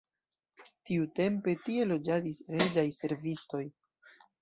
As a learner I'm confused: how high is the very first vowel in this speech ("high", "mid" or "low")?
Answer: high